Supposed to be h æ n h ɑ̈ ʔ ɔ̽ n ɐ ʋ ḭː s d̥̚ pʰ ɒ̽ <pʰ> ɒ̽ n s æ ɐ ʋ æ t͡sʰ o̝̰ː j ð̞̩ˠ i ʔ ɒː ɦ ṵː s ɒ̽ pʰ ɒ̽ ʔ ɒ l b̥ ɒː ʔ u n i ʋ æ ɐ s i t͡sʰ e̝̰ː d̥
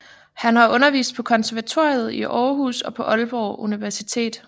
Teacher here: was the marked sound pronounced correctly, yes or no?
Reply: no